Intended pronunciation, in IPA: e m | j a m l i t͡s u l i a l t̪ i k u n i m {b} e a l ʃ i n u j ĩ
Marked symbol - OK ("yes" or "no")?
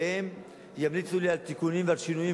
no